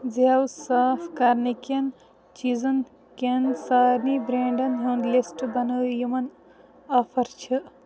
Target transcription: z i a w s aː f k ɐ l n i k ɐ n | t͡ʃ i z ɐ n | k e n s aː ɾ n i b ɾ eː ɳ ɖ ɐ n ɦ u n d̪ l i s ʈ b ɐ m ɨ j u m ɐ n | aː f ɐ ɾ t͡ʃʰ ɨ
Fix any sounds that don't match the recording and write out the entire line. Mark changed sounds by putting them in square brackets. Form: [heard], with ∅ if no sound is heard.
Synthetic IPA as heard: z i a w s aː f k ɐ [ɾ] n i k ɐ n | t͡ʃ i z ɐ n | k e n s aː ɾ n i b ɾ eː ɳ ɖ ɐ n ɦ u n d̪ l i s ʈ b ɐ [n] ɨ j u m ɐ n | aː f ɐ ɾ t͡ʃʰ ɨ